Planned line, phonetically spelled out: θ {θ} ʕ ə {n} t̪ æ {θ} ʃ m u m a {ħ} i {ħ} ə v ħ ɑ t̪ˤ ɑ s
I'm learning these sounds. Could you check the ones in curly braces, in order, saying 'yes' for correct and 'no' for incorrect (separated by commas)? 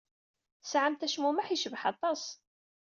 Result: no, no, no, yes, no